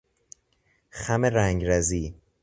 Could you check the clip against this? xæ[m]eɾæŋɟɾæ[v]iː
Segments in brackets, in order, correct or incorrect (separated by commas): correct, incorrect